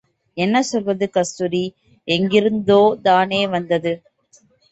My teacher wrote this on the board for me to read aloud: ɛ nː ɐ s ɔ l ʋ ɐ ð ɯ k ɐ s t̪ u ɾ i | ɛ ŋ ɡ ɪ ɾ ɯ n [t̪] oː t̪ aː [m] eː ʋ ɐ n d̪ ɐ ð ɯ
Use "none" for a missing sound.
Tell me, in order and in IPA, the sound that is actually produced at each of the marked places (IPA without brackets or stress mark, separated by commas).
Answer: d̪, n